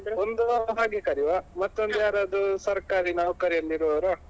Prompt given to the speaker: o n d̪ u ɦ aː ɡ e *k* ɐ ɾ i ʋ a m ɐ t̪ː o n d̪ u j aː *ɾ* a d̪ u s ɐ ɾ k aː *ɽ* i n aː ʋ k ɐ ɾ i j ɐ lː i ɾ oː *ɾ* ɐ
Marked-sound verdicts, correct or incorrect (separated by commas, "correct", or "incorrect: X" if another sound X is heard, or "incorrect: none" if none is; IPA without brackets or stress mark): correct, correct, incorrect: ɾ, correct